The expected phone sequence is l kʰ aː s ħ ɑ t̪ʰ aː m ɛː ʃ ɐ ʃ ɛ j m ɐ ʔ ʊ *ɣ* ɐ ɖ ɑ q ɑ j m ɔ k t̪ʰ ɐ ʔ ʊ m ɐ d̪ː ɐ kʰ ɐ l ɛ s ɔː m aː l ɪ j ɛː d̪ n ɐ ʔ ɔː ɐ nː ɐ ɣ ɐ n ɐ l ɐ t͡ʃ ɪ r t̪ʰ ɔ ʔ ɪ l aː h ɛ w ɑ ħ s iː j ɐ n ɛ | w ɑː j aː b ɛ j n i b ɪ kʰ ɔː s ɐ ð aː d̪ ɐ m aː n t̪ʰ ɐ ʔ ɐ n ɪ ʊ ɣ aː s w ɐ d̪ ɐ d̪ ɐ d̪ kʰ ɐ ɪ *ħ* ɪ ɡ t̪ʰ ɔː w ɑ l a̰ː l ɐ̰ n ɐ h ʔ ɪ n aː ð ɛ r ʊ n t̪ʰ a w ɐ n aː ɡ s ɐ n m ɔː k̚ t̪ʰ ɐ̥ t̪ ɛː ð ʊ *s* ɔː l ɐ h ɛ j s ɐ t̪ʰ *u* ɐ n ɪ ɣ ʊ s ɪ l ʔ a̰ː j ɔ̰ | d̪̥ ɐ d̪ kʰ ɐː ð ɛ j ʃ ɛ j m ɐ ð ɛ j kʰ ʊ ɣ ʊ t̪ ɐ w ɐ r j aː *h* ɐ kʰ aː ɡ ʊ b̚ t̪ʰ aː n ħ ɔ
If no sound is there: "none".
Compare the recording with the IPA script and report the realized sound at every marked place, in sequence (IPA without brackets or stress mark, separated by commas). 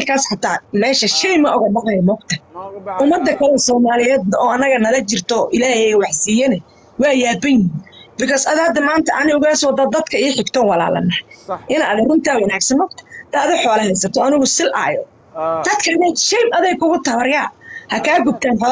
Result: ɣ, ħ, ħ, ɔ, h